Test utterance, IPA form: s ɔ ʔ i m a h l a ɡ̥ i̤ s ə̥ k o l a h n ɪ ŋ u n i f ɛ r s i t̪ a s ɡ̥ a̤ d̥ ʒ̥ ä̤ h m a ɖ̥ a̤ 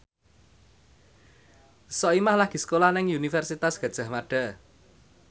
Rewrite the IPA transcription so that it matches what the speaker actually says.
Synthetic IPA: s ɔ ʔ i m a h l a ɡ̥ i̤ s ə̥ k o l a h n ɪ ŋ u n i f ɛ r s i t̪ a s ɡ̥ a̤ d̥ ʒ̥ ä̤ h m a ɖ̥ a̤

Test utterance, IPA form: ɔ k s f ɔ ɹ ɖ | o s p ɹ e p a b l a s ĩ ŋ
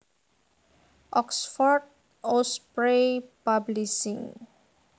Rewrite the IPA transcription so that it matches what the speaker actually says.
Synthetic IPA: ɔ k s f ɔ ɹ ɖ | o s p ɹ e p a b l i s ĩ ŋ

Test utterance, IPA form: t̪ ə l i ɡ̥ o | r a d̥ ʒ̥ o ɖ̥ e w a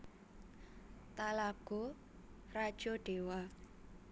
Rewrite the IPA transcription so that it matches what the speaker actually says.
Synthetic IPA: t̪ a l a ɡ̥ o | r a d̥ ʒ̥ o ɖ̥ e w a

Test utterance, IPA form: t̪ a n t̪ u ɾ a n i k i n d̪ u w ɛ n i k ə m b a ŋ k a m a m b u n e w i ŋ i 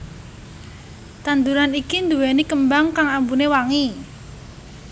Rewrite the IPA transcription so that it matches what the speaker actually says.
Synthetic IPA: t̪ a n d̪ u ɾ a n i k i n d̪ u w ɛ n i k ə m b a ŋ k a ŋ a m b u n e w a ŋ i

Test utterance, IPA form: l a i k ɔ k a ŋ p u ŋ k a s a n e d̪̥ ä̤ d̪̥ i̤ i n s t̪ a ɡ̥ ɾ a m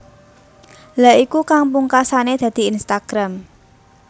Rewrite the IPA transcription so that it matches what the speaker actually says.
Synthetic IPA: l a i k u k a ŋ p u ŋ k a s a n e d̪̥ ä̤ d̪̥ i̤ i n s t̪ a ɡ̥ ɾ a m

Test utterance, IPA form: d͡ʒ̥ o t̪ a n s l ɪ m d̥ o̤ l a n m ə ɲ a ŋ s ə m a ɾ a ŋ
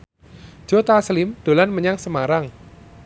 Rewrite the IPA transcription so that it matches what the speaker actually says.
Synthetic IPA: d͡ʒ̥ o t̪ a s l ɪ m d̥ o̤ l a n m ə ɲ a ŋ s ə m a ɾ a ŋ

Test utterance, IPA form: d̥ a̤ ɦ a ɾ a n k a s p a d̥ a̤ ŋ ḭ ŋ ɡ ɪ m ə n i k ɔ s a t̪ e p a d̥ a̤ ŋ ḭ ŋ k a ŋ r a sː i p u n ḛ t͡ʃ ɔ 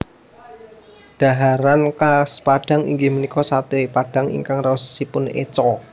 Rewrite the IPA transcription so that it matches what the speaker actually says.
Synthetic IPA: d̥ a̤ ɦ a ɾ a n k a s p a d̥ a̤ ŋ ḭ ŋ ɡ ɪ m ə n i k ɔ s a t̪ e p a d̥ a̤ ŋ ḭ ŋ k a ŋ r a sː i p ʊ n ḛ t͡ʃ ɔ

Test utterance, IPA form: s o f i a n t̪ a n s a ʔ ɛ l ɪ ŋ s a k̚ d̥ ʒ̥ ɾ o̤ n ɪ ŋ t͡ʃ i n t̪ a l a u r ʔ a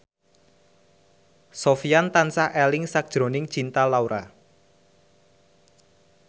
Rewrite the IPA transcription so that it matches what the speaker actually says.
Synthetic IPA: s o f i a n t̪ a n s a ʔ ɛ l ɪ ŋ s a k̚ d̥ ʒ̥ ɾ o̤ n ɪ ŋ t͡ʃ i n t̪ a l a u ɾ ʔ a

